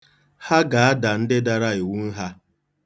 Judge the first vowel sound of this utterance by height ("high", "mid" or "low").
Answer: low